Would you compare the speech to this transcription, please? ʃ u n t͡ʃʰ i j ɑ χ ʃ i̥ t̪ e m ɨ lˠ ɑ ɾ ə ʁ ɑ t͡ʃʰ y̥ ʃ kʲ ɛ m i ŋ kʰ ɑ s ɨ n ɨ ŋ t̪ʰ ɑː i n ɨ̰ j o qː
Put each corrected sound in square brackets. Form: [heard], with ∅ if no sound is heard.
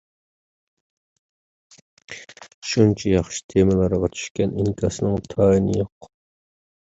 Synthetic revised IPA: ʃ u n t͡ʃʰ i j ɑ χ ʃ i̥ [t̪ʰ] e m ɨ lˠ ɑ ɾ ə ʁ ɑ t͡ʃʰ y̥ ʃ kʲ ɛ [n] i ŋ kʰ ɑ s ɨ n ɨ ŋ t̪ʰ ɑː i n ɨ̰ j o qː